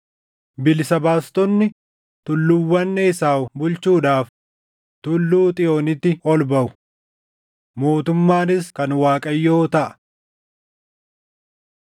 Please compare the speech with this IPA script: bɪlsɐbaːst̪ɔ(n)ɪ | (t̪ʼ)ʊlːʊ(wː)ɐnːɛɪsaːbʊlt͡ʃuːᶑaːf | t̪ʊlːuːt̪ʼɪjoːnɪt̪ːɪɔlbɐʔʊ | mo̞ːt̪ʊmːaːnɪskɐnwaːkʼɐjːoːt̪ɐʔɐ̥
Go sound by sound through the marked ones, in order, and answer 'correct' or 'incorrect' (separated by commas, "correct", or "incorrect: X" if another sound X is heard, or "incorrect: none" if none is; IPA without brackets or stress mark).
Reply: incorrect: nː, incorrect: t̪, correct